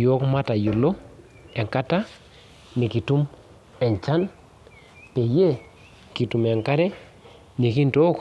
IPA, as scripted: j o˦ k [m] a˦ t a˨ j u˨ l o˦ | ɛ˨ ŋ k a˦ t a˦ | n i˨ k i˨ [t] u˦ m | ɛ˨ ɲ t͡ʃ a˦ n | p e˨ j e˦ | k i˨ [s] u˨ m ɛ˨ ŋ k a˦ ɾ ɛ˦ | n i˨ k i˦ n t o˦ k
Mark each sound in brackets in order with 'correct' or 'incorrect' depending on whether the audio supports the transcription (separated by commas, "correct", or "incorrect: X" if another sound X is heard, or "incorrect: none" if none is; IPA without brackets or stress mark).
correct, correct, incorrect: t